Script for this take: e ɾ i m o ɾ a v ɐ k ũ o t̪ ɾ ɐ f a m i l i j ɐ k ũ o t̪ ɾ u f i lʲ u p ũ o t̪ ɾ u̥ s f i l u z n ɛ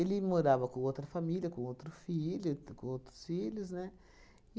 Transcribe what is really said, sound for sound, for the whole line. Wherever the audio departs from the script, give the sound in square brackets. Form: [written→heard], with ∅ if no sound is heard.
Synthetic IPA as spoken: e [ɾ→l] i m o ɾ a v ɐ k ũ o t̪ ɾ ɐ f a m i l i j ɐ k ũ o t̪ ɾ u f i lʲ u [p→k] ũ o t̪ ɾ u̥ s f i l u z n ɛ